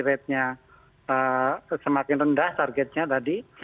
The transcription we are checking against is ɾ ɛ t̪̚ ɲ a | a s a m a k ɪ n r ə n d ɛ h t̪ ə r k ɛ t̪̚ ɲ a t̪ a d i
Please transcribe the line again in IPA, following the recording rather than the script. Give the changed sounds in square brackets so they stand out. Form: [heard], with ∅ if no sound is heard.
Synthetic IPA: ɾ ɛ t̪̚ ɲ a | [ə] s [ə] m a k ɪ n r ə n d [a] h t̪ [a] r [ɡ] ɛ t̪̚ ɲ a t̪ a d i

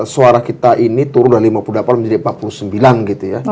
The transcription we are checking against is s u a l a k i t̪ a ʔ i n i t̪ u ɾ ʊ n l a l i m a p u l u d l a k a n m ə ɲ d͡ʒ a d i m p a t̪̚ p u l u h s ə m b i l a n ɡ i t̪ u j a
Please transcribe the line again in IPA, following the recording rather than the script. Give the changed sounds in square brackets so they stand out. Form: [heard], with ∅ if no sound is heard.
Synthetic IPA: s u a [ɾ] a k i t̪ a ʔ i n i t̪ u ɾ ʊ n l a l i m a p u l u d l a [p] a n m ə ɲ d͡ʒ a d i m p a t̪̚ p u l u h s ə m b i l a n ɡ i t̪ u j a

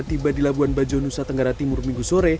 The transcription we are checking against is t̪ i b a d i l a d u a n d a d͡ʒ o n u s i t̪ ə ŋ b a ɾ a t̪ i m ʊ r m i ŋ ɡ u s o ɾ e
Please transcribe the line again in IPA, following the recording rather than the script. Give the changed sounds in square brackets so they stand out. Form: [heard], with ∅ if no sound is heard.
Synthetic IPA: t̪ i b a d i l a [b] u a n [b] a d͡ʒ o n u s [a] t̪ ə ŋ [ɡ] a ɾ a t̪ i m ʊ r m i ŋ ɡ u s o ɾ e

